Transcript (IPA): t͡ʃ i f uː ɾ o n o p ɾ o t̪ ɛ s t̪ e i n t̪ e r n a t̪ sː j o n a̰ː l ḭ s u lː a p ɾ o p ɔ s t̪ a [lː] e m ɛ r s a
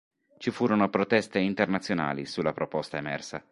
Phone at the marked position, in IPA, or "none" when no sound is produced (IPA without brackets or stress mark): none